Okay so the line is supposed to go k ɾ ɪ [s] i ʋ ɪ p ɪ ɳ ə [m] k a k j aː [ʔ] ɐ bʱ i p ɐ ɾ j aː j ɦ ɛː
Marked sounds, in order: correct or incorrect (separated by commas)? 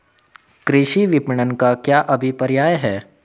incorrect, incorrect, correct